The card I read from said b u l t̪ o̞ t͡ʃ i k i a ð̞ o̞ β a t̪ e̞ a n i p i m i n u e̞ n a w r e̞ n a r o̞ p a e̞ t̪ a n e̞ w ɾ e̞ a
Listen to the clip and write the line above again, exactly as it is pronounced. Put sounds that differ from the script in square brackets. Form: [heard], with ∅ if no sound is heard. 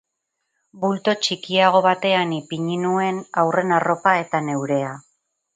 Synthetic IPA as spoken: b u l t̪ o̞ t͡ʃ i k i a [ɣ̞] o̞ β a t̪ e̞ a n i p i [ɲ] i n u e̞ n a w r e̞ n a r o̞ p a e̞ t̪ a n e̞ w ɾ e̞ a